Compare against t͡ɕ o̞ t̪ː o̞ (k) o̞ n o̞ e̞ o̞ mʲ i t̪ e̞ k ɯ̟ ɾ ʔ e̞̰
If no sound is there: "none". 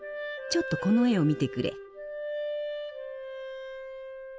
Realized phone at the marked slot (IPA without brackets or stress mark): k